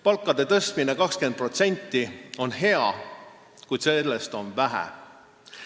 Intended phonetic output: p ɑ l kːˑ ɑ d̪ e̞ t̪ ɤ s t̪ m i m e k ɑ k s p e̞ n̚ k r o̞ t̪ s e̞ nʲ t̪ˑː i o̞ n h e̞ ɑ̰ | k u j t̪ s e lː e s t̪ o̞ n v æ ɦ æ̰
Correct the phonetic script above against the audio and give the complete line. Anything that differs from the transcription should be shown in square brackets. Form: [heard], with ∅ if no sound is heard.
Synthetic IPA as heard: p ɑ l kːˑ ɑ d̪ e̞ t̪ ɤ s t̪ m i [n] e k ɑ k s [k] e̞ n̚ [p] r o̞ t̪ s e̞ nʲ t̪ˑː i o̞ n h e̞ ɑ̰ | k u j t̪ s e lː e s t̪ o̞ n v æ ɦ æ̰